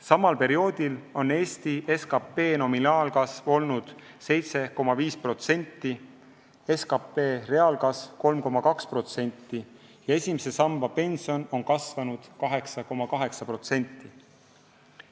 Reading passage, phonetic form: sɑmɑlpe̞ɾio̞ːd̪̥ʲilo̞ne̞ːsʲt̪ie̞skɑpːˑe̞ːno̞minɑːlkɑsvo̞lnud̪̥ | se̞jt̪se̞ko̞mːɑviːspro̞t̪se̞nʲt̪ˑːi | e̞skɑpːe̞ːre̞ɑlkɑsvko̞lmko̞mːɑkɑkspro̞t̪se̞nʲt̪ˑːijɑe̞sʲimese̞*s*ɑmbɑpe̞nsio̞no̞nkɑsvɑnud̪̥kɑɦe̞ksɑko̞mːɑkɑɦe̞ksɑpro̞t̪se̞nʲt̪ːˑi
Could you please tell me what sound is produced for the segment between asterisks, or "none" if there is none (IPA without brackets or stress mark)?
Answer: s